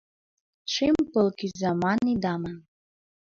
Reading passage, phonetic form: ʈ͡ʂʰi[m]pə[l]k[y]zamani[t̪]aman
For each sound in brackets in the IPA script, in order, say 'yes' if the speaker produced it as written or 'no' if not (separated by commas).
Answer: yes, yes, no, no